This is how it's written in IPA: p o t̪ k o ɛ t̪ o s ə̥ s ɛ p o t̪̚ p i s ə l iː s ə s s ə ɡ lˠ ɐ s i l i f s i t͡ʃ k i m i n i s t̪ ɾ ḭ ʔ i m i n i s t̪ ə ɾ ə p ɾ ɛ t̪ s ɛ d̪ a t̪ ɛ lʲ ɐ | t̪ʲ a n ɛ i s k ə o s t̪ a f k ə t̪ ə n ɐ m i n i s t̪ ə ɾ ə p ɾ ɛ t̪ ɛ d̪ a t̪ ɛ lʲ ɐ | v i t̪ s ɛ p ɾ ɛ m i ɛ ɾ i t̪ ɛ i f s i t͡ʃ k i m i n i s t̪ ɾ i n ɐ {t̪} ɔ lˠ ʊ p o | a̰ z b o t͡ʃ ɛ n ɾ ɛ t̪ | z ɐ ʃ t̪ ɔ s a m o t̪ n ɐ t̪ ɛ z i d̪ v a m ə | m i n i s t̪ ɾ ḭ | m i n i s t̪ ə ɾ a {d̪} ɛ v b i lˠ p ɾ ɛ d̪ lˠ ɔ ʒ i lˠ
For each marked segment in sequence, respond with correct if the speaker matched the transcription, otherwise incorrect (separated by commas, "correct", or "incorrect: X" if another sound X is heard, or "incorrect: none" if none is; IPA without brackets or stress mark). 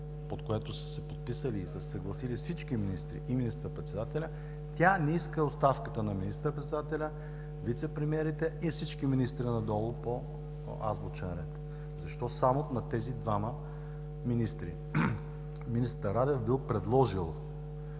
incorrect: d̪, correct